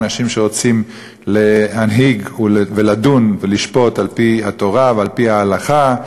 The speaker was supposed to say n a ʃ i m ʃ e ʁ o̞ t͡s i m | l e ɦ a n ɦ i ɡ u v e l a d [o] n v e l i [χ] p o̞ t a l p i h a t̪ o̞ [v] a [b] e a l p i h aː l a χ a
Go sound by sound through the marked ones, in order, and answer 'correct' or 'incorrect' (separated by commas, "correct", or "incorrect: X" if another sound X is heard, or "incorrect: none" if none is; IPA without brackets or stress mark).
incorrect: u, incorrect: ʃ, incorrect: ʁ, incorrect: v